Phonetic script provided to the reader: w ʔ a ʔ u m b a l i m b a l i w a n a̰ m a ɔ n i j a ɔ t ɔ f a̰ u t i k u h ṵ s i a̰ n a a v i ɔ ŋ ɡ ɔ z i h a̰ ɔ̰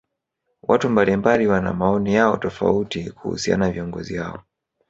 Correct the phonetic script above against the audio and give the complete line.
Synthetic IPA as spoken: w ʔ a t u m b a l i m b a l i w a n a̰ m a ɔ n i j a ɔ t ɔ f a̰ u t i k u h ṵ s i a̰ n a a v i ɔ ŋ ɡ ɔ z i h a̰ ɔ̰